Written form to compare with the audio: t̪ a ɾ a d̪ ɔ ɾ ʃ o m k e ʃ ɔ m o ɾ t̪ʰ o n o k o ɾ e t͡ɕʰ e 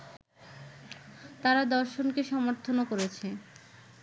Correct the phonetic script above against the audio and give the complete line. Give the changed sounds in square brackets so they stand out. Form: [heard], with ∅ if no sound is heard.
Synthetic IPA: t̪ a ɾ a d̪ ɔ ɾ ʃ o [n] k e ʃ ɔ m o ɾ t̪ʰ o n o k o ɾ e t͡ɕʰ e

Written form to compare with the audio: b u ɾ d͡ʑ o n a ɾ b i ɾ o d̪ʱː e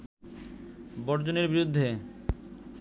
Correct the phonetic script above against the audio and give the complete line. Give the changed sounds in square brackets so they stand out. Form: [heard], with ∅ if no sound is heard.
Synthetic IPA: b [ɔ] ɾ d͡ʑ o n [e] ɾ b i ɾ [u] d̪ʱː e

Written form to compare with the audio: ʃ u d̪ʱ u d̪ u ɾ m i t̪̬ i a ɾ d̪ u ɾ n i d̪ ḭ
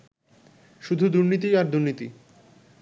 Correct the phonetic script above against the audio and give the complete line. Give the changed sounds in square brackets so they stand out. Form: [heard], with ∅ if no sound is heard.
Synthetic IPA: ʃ u d̪ʱ u d̪ u ɾ [n] i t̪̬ i a ɾ d̪ u ɾ n i [t̪] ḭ

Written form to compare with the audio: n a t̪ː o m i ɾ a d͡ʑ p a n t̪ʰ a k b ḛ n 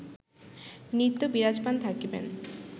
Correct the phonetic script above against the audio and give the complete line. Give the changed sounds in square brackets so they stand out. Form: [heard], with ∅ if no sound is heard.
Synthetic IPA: n [i] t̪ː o [b] i ɾ a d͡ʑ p a n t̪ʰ a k b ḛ n

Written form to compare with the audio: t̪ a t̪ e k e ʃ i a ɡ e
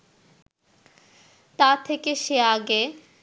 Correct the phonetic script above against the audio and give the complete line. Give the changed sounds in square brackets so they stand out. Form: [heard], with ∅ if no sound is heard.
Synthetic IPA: t̪ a [t̪ʰ] e k e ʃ [e] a ɡ e

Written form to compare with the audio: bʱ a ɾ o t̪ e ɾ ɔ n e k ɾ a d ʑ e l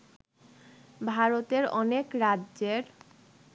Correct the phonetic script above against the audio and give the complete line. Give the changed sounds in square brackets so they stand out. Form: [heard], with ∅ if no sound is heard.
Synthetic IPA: bʱ a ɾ o t̪ e ɾ ɔ n e k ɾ a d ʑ e [ɾ]

